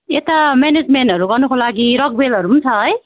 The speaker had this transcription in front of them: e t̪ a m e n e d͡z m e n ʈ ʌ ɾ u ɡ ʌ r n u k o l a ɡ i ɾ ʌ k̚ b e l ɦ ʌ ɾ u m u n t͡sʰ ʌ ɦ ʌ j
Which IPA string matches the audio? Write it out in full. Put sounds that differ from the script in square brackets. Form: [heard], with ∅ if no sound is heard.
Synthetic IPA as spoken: e t̪ a m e n e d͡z m e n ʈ ʌ ɾ u ɡ ʌ r n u k o l a ɡ i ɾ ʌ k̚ b e l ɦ ʌ ɾ u m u n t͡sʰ ʌ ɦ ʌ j